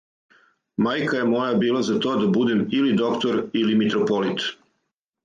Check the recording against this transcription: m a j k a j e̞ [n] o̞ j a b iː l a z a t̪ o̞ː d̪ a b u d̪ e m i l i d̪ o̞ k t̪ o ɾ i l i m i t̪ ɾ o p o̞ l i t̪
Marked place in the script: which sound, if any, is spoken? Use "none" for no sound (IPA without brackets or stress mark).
m